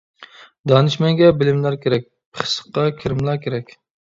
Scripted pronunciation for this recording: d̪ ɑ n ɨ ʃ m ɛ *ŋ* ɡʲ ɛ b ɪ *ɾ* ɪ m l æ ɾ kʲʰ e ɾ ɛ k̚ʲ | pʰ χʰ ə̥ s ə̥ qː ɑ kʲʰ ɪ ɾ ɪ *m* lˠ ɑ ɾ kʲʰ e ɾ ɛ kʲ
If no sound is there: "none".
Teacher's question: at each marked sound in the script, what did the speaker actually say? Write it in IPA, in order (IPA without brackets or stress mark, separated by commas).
ŋ, l, m